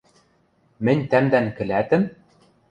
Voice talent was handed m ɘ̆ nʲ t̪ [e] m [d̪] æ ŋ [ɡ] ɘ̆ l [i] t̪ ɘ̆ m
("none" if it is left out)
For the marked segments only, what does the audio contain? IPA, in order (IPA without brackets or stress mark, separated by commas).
æ, d̪, k, æ